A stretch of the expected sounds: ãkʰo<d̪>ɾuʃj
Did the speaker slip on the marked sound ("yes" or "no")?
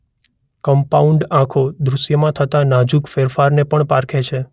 no